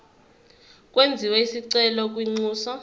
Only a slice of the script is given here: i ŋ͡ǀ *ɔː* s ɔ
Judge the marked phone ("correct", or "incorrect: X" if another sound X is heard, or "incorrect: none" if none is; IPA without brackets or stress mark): incorrect: uː